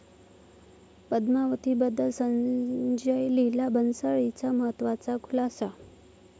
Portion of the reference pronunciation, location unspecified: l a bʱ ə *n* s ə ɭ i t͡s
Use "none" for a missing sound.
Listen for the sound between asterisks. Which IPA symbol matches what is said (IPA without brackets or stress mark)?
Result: n